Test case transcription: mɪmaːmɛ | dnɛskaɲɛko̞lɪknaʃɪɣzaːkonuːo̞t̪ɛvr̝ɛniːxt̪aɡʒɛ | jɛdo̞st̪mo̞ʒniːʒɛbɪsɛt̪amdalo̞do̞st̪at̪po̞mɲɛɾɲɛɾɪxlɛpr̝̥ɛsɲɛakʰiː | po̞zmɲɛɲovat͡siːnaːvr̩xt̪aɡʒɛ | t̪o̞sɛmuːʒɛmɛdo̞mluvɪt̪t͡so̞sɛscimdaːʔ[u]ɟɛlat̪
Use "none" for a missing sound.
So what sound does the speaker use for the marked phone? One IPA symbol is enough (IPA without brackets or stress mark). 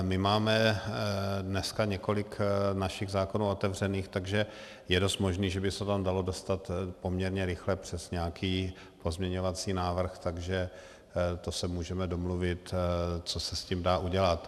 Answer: u